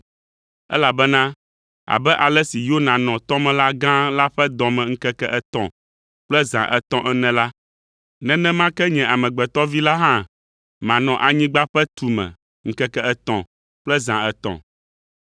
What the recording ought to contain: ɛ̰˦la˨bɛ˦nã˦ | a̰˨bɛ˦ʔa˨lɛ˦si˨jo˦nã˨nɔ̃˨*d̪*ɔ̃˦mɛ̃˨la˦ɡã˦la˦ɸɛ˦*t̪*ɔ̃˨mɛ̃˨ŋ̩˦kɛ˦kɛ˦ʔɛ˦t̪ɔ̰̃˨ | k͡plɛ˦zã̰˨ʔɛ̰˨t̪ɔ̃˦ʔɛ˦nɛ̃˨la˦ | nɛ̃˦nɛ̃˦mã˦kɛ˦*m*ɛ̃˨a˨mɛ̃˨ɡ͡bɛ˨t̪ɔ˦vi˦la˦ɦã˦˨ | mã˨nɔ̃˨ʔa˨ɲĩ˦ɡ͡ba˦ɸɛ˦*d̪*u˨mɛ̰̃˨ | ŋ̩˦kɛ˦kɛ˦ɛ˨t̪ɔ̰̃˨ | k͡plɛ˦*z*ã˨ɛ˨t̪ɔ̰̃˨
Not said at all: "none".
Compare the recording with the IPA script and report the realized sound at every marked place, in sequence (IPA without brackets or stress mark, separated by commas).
t̪, d̪, ɲ, t̪, z